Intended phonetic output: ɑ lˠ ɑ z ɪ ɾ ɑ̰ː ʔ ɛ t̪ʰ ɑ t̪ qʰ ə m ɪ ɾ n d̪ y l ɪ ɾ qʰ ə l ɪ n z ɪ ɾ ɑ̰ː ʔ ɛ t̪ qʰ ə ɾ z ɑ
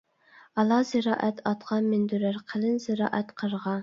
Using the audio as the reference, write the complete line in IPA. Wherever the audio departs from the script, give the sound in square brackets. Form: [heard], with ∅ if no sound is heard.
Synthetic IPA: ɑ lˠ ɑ z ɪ ɾ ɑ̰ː ʔ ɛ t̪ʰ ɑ t̪ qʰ [ɑ] m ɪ [∅] n d̪ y [ɾ] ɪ ɾ qʰ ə l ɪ n z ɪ ɾ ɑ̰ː ʔ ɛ t̪ qʰ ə ɾ [ʁ] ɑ